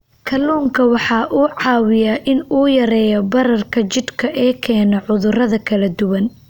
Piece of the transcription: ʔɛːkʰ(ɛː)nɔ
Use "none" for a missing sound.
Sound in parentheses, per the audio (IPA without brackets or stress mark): ɛː